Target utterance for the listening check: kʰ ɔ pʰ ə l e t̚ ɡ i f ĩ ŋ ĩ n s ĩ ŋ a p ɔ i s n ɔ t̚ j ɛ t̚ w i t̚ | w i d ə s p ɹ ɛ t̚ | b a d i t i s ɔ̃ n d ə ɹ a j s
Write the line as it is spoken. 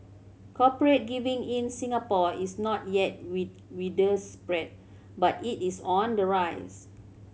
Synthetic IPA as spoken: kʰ ɔ p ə ɹ e t̚ ɡ i v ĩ ŋ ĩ n s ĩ ŋ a p ɔ i s n ɔ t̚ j ɛ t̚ w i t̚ | w i d ə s p ɹ ɛ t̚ | b a t i t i s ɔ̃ n d ə ɹ a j s

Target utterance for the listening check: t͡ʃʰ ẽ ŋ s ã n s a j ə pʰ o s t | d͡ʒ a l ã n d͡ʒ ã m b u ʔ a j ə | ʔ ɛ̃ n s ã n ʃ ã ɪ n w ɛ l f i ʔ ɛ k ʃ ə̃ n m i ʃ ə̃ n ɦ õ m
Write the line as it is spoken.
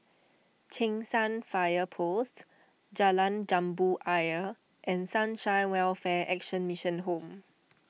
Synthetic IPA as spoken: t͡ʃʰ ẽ ŋ s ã n f a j ə pʰ o s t | d͡ʒ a l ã n d͡ʒ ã m b u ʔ a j ə | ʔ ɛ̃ n s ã n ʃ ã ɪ n w ɛ l f ɛ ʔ ɛ k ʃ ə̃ n m i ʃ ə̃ n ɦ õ m

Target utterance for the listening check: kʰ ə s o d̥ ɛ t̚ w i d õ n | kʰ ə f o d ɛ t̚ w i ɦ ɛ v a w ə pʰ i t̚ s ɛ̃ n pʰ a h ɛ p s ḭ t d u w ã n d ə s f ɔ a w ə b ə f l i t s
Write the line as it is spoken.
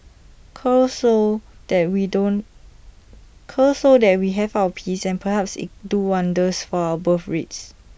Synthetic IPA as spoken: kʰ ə s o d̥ ɛ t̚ w i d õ n | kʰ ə s o d ɛ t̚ w i ɦ ɛ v a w ə pʰ i s ɛ̃ n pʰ ə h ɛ p s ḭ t d u w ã n d ə s f ɔ a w ə b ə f ɹ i t s

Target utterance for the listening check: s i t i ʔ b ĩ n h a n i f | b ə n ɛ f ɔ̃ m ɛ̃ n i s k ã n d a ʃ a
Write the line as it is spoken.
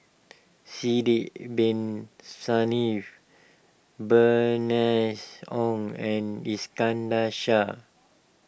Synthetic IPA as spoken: s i d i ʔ b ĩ n s a n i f | b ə n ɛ s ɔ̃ ŋ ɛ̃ n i s k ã n d a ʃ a

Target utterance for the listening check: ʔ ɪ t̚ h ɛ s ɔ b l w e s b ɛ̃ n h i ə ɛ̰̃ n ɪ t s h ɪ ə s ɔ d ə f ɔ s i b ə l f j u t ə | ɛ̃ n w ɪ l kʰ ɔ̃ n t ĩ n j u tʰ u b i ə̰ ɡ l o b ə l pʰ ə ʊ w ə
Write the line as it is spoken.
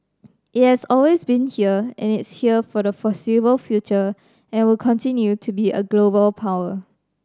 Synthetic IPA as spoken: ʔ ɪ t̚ h ɛ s ɔ l w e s b ĩ n h i ə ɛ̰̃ n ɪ t s h i ə f ɔ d ə f ɔ s i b ə l f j u t͡ʃ ə | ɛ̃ n w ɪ l kʰ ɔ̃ n t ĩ n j u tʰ u b i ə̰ ɡ l o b ə l pʰ a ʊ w ə

